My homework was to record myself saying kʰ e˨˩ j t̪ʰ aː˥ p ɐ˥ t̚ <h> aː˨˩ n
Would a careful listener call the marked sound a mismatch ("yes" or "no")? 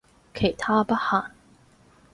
no